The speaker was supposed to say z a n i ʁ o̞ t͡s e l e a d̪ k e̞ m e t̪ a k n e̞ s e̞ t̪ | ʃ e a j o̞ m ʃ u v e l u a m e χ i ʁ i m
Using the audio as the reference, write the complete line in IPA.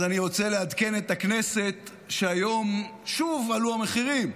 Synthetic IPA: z a n i ʁ o̞ t͡s e l e a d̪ k e̞ n e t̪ a k n e̞ s e̞ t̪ | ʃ e a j o̞ m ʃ u v a l u a m e χ i ʁ i m